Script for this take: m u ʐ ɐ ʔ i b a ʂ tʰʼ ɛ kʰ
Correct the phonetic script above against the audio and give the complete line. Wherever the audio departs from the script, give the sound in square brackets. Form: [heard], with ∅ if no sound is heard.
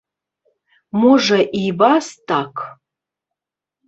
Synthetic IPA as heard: m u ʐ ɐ ʔ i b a [s] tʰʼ [a] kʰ